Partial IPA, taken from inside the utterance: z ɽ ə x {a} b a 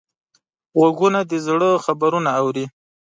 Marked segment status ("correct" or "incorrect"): correct